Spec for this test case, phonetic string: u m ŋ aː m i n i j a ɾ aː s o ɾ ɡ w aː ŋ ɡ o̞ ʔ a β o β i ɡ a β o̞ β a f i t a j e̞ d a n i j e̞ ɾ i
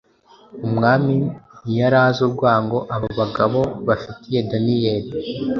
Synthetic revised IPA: u m ŋ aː m i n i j a ɾ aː z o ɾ ɡ w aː ŋ ɡ o̞ ʔ a β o β a ɡ a β o̞ β a f i t i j e̞ d a n i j e̞ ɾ i